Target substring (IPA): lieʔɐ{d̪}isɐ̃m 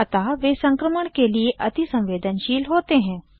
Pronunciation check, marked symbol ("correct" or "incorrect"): incorrect